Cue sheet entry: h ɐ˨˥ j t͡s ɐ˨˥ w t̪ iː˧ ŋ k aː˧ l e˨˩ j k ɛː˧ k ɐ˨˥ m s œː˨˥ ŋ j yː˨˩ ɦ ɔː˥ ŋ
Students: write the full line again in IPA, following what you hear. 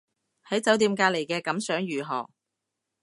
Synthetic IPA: h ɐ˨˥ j t͡s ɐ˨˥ w t̪ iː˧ m k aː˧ l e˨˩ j k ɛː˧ k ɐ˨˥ m s œː˨˥ ŋ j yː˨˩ ɦ ɔː˨˩ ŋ